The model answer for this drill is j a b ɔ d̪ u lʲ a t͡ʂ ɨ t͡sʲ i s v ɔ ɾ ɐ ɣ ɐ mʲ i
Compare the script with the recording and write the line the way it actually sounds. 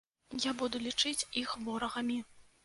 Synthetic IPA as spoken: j a b u d̪ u lʲ i t͡ʂ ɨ t͡sʲ i x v ɔ ɾ ɐ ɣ ɐ mʲ i